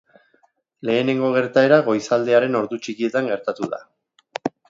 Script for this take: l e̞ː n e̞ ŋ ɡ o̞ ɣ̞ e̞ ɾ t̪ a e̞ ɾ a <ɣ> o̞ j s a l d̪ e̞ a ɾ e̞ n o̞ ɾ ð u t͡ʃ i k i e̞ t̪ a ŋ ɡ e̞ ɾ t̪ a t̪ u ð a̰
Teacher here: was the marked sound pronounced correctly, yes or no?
yes